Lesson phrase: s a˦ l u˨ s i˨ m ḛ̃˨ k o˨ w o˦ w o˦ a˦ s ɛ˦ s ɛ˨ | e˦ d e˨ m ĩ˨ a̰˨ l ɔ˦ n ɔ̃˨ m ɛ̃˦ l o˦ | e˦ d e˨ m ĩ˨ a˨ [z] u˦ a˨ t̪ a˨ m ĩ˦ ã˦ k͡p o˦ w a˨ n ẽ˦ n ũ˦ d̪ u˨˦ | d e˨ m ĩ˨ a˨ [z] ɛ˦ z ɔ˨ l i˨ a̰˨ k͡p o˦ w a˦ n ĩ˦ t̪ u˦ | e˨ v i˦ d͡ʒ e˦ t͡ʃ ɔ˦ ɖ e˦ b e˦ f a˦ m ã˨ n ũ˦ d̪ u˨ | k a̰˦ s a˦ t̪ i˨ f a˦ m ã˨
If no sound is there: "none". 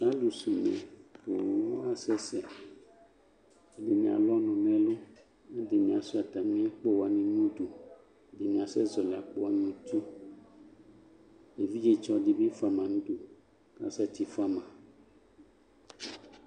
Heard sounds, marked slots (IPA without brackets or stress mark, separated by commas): s, s